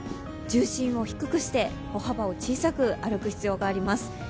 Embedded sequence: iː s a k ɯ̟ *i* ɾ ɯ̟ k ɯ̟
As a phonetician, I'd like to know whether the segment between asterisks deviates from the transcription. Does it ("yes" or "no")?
yes